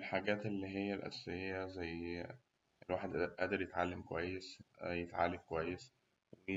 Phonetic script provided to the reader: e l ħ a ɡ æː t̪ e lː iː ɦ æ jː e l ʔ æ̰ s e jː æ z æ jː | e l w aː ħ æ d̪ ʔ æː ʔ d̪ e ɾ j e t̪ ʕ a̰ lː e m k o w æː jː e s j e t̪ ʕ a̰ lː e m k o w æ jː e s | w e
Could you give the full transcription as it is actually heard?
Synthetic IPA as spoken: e l ħ a ɡ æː t̪ e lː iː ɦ e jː æ l ʔ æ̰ s e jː æ z æ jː | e l w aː ħ e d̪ ʔ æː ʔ d̪ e ɾ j e t̪ ʕ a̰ lː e m k o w æ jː e s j e t̪ ʕ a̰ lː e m k o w æ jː e s | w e

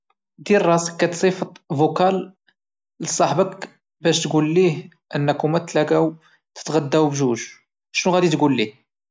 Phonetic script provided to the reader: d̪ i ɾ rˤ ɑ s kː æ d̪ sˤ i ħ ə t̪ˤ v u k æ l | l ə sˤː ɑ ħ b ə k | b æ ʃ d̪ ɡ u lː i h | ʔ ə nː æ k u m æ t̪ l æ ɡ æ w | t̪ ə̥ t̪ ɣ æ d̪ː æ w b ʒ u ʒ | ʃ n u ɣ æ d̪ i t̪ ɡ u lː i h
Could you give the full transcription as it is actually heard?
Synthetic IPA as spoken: d̪ i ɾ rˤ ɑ s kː æ t̪ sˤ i f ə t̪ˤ v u k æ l | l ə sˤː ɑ ħ b ə k | b æ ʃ t̪ ɡ u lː i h | ʔ ə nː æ k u m æ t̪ l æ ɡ æ w | t̪ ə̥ t̪ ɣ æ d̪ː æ w b ʒ u ʒ | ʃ n u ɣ æ d̪ i t̪ ɡ u lː i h

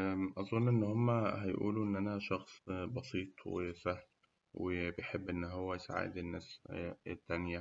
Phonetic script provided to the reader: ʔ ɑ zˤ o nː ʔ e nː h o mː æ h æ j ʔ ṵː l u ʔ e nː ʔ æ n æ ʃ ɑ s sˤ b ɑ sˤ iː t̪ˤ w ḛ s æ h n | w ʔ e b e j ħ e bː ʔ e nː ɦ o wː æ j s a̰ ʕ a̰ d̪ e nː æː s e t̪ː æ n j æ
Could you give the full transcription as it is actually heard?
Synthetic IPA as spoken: ʔ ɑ zˤ o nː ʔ e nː h o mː æ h æ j ʔ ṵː l u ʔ e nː ʔ æ n æ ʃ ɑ x sˤ b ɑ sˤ iː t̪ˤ w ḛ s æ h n | w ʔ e b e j ħ e bː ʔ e nː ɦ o wː æ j s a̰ ʕ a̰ d̪ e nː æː s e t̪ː æ n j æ

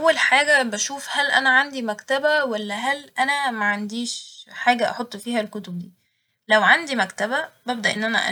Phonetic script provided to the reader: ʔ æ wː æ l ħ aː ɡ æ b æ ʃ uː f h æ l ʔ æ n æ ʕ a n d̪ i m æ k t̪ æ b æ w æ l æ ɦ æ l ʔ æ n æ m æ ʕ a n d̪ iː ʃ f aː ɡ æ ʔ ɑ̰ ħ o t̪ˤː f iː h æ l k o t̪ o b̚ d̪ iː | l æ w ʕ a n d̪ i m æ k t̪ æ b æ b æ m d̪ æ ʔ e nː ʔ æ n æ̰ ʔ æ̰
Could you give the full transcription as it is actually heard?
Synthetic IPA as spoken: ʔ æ wː æ l ħ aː ɡ æ b æ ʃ uː f h æ l ʔ æ n æ ʕ a n d̪ i m æ k t̪ æ b æ w æ lː æ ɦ æ l ʔ æ n æ m æ ʕ a n d̪ iː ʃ ħ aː ɡ æ ʔ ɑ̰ ħ o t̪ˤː f iː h æ l k o t̪ o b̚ d̪ iː | l æ w ʕ a n d̪ i m æ k t̪ æ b æ b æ b d̪ æ ʔ e nː ʔ æ n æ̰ ʔ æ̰

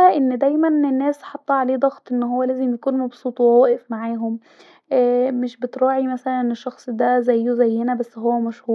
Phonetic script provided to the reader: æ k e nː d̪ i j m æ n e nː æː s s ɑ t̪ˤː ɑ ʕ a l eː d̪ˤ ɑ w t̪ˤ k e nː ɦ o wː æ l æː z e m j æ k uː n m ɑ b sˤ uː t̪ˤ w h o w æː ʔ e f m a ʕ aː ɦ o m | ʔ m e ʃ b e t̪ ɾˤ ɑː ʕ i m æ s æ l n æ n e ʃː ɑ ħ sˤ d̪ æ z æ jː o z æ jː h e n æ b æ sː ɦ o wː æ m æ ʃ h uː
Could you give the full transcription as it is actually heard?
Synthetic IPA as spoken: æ ʔ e nː d̪ æ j m æ n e nː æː s ħ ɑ t̪ˤː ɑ ʕ a l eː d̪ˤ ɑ ɣ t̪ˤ ʔ e nː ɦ o wː æ l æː z e m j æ k uː n m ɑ b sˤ uː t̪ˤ w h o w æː ʔ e f m a ʕ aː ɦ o m | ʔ m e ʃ b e t̪ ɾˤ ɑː ʕ i m æ s æ l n æ n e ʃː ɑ x sˤ d̪ æ z æ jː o z æ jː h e n æ b æ sː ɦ o wː æ m æ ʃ h uː

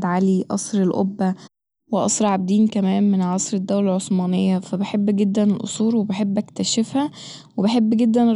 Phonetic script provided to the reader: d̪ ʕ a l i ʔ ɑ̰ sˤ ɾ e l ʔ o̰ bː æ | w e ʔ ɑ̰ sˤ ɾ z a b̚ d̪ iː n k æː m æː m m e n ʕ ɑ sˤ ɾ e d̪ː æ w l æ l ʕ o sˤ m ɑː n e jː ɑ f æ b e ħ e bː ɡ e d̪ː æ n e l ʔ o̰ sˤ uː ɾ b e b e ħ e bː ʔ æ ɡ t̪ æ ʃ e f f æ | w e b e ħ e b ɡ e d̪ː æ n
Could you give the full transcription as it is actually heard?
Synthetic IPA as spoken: d̪ ʕ a l i ʔ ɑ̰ sˤ ɾ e l ʔ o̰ bː æ | w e ʔ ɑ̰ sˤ ɾ ʕ a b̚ d̪ iː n k æ m æː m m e n ʕ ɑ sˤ ɾ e d̪ː æ w l æ l ʕ o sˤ m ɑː n e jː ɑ f æ b e ħ e bː ɡ e d̪ː æ n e l ʔ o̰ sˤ uː ɾ w e b e ħ e bː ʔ æ k t̪ æ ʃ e f h æ | w e b e ħ e bː ɡ e d̪ː æ n

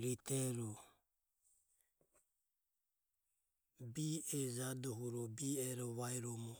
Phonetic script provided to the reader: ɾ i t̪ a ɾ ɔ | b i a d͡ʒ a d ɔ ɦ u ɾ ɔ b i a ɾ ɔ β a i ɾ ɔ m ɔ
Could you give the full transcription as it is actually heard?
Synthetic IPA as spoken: ɾ i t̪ ɛ ɾ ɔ | b i ɛ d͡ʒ a d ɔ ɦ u ɾ ɔ b i ɛ ɾ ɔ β a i ɾ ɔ m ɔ

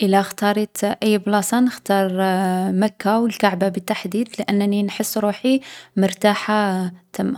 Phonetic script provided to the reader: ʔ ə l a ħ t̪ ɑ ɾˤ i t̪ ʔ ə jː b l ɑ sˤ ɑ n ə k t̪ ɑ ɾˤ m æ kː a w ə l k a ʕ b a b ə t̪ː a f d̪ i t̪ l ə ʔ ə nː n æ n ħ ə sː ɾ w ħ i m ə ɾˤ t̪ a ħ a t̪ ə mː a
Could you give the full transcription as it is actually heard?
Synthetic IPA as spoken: ʔ ə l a x t̪ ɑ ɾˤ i t̪ ʔ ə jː b l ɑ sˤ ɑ n ə x t̪ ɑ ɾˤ m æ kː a w ə l k a ʕ b a b ə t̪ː a ħ d̪ i d̪ l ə ʔ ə nː n i n ħ ə sː ɾ u ħ i m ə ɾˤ t̪ a ħ a t̪ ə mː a

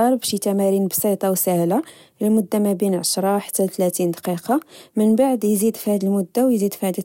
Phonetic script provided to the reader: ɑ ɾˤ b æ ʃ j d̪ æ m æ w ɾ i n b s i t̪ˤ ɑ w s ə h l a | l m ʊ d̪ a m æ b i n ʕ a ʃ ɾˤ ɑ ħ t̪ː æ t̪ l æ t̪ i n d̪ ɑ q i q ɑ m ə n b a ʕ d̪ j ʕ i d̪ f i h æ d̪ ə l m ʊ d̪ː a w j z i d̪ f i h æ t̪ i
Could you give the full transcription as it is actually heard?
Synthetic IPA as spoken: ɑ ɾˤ b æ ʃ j t̪ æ m æ ɾ i n b s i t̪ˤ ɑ w s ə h l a | l m ʊ d̪ː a m æ b i n ʕ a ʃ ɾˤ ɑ ħ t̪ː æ t̪ l æ t̪ i n d̪ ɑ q i q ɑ m ə n b a ʕ d̪ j z i d̪ f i h æ d̪ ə l m ʊ d̪ː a w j z i d̪ f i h æ d̪ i

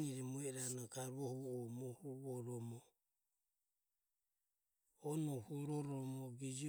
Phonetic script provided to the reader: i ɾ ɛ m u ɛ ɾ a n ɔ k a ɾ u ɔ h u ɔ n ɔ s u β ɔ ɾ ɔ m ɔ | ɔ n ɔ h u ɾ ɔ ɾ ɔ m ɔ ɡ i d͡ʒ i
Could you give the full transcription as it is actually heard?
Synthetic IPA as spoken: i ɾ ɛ m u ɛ ɾ a n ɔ k a ɾ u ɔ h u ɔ m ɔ h u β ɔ ɾ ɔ m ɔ | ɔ n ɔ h u ɾ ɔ ɾ ɔ m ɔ ɡ i d͡ʒ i

